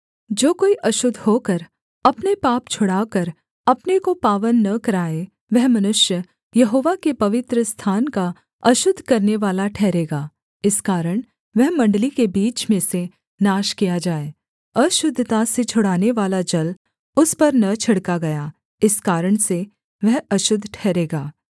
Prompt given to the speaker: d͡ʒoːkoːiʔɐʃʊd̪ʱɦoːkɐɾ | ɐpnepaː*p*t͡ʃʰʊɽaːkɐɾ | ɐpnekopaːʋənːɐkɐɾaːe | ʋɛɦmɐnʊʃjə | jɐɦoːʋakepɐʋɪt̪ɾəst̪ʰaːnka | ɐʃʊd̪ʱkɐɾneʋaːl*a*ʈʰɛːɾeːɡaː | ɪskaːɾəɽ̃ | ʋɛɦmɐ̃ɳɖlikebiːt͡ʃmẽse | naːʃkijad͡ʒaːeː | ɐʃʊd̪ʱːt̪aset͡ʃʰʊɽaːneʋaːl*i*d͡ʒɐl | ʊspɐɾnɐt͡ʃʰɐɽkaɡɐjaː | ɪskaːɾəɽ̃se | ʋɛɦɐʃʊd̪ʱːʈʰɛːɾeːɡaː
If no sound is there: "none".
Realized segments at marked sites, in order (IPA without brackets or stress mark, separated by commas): p, a, a